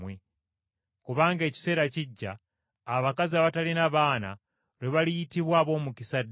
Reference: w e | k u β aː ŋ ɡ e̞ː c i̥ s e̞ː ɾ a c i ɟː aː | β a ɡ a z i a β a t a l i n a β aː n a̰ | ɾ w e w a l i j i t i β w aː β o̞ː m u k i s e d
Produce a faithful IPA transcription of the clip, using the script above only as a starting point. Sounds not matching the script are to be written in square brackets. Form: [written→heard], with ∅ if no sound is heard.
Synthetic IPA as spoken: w e | k u β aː ŋ ɡ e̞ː c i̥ s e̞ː ɾ a c i ɟː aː | β a [ɡ→k] a z i a β a t a l i n a β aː n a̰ | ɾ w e [w→β] a l i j i t i β w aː β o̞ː m u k i s [e→a] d

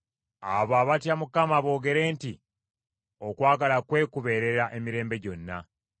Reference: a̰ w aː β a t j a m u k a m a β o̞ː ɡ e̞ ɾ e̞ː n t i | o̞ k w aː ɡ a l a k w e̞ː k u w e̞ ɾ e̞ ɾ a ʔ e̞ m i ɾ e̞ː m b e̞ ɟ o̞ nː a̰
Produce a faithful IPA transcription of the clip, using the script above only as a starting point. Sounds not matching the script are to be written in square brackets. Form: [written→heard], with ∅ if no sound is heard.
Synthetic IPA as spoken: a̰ [w→β] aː β a t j a m u k a m a β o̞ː ɡ e̞ ɾ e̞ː n t i | o̞ k w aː ɡ a l a k w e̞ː k u [w→β] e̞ ɾ e̞ ɾ a ʔ e̞ m i ɾ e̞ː m b e̞ ɟ o̞ nː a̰

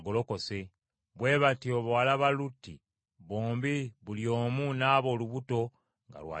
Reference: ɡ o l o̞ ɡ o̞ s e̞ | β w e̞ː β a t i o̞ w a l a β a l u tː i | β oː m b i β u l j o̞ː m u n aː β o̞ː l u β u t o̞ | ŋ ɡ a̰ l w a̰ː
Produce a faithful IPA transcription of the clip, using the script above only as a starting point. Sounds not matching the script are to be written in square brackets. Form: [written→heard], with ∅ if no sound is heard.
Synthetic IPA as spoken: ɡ o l o̞ [ɡ→k] o̞ s e̞ | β w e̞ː β a t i o̞ [w→β] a l a β a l u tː i | β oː m b i β u l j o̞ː m u n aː β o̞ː l u β u t o̞ | ŋ ɡ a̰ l w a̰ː

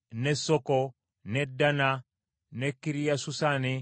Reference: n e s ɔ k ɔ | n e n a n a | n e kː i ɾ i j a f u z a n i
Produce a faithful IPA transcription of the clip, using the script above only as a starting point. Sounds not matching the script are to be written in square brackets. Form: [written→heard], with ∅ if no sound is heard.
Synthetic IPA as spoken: n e s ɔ k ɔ | n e [n→d] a n a | n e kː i ɾ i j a [f→s] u [z→s] a n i

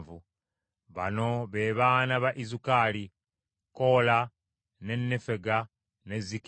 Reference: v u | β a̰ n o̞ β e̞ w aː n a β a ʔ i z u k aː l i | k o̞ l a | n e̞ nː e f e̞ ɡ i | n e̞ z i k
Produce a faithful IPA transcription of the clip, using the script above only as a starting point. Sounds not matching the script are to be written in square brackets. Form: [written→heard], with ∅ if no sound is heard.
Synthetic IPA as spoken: v u | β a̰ n o̞ β e̞ [w→β] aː n a β a ʔ i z u k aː l i | k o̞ l a | n e̞ nː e f e̞ ɡ [i→a] | n e̞ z i k

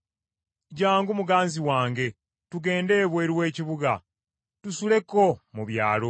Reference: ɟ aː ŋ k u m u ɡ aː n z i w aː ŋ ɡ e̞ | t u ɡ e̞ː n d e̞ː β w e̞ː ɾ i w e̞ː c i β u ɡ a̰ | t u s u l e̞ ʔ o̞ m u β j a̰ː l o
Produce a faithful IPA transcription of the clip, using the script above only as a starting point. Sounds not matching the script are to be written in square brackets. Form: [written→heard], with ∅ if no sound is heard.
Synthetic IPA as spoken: ɟ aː ŋ [k→ɡ] u m u ɡ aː n z i w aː ŋ ɡ e̞ | t u ɡ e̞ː n d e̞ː β w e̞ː ɾ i w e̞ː c i β u ɡ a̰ | t u s u l e̞ [ʔ→k] o̞ m u β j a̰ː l o

